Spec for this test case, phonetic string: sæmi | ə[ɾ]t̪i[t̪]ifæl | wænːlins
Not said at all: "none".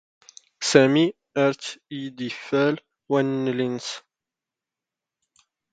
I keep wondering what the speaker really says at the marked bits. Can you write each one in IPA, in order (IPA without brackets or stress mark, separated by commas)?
ɾ, d̪